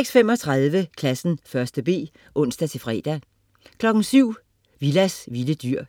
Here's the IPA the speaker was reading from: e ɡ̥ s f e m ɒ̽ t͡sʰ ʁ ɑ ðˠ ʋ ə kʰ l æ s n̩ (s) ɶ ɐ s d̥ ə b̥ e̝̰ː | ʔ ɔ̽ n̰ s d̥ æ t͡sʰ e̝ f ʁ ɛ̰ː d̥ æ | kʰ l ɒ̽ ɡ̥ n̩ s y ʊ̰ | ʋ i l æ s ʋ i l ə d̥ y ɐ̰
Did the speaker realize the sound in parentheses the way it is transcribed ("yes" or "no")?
no